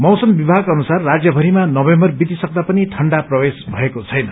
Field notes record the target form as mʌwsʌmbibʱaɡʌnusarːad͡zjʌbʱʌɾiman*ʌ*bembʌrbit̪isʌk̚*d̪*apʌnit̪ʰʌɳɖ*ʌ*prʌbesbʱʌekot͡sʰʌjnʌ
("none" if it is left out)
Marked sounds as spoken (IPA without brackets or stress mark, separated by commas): ʌ, d̪, a